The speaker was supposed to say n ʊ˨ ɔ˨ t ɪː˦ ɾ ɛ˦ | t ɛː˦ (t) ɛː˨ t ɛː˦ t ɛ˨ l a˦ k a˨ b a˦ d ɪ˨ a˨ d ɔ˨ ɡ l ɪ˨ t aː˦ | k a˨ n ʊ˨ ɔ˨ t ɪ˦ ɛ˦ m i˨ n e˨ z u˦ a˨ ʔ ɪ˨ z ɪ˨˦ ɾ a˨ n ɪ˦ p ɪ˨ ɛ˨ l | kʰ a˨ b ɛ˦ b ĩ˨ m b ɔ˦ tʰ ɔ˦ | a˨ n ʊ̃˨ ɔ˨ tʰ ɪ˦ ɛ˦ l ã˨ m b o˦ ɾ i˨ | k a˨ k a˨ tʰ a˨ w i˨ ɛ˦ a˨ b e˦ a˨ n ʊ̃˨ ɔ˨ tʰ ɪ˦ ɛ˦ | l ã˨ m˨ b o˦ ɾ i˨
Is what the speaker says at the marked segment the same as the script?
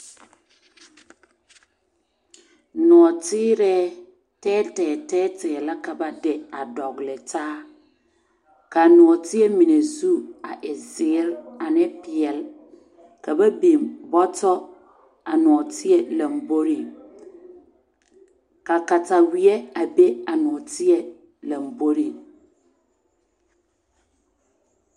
yes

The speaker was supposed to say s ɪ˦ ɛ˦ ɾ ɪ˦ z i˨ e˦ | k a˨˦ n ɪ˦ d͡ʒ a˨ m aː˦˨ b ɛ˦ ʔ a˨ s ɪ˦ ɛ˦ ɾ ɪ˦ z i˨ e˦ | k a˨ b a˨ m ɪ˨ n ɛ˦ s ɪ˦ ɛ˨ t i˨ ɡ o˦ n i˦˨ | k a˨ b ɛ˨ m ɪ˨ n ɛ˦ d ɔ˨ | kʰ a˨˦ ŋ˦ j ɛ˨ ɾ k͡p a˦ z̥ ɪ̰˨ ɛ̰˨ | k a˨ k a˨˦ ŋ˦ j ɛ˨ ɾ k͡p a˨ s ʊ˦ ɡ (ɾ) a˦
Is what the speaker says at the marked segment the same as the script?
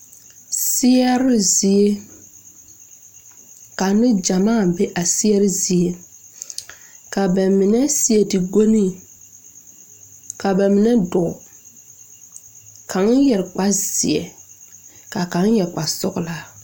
no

